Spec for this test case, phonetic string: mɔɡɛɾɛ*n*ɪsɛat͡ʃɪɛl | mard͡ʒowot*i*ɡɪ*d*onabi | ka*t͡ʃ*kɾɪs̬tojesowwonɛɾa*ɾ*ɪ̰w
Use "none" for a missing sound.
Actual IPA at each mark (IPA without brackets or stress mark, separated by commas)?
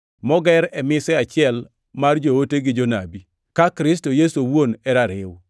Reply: m, e, d͡ʒ, none, ɾ